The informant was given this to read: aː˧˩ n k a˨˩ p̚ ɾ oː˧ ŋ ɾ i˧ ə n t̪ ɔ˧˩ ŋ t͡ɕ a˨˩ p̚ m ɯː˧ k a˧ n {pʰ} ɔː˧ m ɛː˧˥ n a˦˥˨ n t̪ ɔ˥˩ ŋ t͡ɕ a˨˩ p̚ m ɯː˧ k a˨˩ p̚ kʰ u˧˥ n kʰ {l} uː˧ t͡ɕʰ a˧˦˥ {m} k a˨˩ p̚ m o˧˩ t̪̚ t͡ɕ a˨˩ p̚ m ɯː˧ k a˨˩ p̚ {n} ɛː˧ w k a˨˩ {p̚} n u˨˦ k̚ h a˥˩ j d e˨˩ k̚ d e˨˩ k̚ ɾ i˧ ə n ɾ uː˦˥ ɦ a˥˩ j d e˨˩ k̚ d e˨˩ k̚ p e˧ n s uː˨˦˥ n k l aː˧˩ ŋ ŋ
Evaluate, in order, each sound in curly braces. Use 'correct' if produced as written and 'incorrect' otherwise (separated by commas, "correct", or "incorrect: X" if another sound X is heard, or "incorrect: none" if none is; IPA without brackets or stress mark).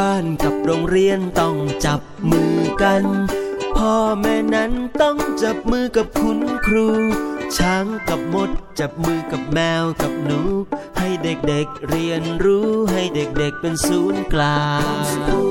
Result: correct, incorrect: ɾ, incorrect: ŋ, incorrect: m, correct